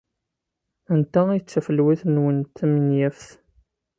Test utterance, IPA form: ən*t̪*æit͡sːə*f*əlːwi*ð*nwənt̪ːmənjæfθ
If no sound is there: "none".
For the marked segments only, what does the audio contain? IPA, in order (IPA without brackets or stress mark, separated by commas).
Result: t̪, f, θ